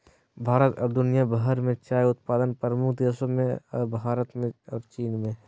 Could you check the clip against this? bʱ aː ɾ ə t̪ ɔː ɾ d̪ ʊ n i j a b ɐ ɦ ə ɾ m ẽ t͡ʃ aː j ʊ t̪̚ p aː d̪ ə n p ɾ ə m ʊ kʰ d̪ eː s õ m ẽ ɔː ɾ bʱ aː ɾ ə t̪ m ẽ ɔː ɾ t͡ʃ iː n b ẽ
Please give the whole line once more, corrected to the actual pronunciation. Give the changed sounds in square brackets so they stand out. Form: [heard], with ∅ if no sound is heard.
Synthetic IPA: bʱ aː ɾ ə t̪ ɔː ɾ d̪ ʊ n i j a b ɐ ɦ ə ɾ m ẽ t͡ʃ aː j ʊ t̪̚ p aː d̪ ə n p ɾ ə m ʊ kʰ d̪ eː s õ m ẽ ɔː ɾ bʱ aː ɾ ə t̪ m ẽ ɔː ɾ t͡ʃ iː n [m] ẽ